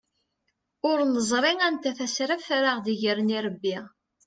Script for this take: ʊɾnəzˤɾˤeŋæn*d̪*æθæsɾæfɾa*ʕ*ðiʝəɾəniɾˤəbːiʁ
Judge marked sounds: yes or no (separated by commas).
no, no